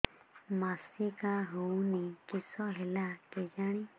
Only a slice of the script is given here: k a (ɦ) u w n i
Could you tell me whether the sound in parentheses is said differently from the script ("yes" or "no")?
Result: no